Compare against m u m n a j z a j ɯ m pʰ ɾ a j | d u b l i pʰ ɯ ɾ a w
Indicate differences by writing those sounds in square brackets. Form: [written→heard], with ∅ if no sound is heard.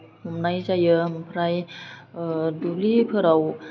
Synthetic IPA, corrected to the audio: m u m n a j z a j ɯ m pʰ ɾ a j | d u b l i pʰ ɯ ɾ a w